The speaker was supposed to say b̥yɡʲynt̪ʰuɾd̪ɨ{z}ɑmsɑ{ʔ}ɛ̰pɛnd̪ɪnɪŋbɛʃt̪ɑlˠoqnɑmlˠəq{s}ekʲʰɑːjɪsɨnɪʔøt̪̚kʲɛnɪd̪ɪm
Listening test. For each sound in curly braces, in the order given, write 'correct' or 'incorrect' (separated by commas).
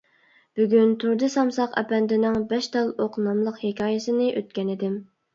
incorrect, incorrect, incorrect